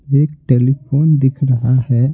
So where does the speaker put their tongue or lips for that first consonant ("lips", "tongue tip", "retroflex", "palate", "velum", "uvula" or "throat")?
velum